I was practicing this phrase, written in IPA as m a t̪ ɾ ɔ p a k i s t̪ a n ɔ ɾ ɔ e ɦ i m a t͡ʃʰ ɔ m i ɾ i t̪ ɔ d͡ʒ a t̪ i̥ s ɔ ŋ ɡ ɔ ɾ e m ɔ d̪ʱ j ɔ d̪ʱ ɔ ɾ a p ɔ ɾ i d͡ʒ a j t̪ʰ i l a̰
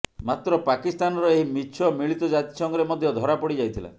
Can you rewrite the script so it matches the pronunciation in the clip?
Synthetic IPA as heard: m a t̪ ɾ ɔ p a k i s t̪ a n ɔ ɾ ɔ e ɦ i m i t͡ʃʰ ɔ m i ɭ i t̪ ɔ d͡ʒ a t̪ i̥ s ɔ ŋ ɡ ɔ ɾ e m ɔ d̪ʱ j ɔ d̪ʱ ɔ ɾ a p ɔ ɽ i d͡ʒ a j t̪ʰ i l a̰